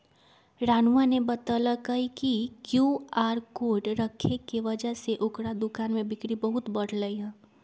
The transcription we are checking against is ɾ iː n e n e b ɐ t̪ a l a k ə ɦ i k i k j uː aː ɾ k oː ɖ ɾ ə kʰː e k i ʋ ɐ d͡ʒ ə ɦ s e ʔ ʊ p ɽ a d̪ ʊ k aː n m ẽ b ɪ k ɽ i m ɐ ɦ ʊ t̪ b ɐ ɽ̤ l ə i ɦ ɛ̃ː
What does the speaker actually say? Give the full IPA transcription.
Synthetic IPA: ɾ aː n a n e b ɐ t̪ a l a k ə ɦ i k i k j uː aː ɾ k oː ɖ ɾ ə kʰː e k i ʋ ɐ d͡ʒ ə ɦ s e ʔ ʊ k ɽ a d̪ ʊ k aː n m ẽ b ɪ k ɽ i b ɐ ɦ ʊ t̪ b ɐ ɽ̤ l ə i ɦ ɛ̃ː